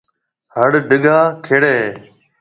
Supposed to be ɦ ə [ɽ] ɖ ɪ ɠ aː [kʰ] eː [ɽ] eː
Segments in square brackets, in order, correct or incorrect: correct, correct, correct

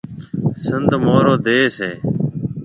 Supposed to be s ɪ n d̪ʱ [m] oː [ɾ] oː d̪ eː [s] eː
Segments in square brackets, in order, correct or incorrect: correct, correct, correct

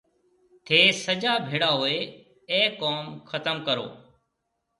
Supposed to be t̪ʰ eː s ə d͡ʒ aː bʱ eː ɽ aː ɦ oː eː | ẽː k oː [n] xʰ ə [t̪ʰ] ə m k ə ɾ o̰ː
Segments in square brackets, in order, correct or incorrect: incorrect: m, incorrect: t̪

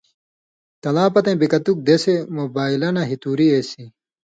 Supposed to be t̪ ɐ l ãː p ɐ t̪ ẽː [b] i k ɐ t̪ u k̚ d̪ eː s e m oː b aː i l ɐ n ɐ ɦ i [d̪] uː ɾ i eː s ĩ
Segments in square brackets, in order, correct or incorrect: correct, incorrect: t̪

